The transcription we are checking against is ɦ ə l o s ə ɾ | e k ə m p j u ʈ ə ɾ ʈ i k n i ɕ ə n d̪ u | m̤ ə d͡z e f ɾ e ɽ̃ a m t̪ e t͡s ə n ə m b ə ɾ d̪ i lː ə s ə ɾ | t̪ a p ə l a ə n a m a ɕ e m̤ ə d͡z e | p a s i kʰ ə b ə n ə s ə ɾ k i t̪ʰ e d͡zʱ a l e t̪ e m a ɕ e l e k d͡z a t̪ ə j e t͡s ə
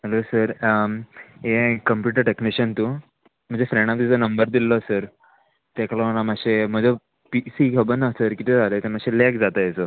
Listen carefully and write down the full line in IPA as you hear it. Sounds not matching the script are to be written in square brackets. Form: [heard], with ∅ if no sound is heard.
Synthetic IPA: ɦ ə l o s ə ɾ | e k ə m p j u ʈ ə ɾ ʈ [e] k n i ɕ ə n [t̪] u | m̤ ə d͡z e f ɾ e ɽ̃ a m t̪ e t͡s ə n ə m b ə ɾ d̪ i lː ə s ə ɾ | t̪ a [k] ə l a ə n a m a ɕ e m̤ ə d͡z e | p [i] s i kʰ ə b ə n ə s ə ɾ k i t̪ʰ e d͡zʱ a l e t̪ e m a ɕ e l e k d͡z a t̪ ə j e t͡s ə

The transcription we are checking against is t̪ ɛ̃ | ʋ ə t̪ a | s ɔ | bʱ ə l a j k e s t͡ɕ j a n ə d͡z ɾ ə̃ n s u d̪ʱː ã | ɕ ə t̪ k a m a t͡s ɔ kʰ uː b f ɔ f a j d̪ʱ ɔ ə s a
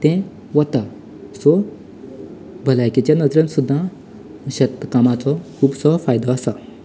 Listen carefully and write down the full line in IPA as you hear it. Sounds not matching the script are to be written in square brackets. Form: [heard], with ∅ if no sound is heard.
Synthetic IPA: t̪ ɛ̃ | ʋ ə t̪ a | s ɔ | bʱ ə l a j k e [∅] t͡ɕ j a n ə d͡z ɾ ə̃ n s u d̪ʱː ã | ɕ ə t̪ k a m a t͡s ɔ kʰ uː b [s] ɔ f a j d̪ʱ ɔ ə s a

